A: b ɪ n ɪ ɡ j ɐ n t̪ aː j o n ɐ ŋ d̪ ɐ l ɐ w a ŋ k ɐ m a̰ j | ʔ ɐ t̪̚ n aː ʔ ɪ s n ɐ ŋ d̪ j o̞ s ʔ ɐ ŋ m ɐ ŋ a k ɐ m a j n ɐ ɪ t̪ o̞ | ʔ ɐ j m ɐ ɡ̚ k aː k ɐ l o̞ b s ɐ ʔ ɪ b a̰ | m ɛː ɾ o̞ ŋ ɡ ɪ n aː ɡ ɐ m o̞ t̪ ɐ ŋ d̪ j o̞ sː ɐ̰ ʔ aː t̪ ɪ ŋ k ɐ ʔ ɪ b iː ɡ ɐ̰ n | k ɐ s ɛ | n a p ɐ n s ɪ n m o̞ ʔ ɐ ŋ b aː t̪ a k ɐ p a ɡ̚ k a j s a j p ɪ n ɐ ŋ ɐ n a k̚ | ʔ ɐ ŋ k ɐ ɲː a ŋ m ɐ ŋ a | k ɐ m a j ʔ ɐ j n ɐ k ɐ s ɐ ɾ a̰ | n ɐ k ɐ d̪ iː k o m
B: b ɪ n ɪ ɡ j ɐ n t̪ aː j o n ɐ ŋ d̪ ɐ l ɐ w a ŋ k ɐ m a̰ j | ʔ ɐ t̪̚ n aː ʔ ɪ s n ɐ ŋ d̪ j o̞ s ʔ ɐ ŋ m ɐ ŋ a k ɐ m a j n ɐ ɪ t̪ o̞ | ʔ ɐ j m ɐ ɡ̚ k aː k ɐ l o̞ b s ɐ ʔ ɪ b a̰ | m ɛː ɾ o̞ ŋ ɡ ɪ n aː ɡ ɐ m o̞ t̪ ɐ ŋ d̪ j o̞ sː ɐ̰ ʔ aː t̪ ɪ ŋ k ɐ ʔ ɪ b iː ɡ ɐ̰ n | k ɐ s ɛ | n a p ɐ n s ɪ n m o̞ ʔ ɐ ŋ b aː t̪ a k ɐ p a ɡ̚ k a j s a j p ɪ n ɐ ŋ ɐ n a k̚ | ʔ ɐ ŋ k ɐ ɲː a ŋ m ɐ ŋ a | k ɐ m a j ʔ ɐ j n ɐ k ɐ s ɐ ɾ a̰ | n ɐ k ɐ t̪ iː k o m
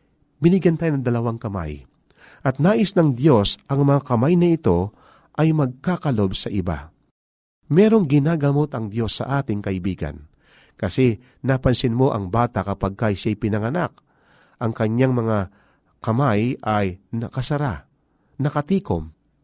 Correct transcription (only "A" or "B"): B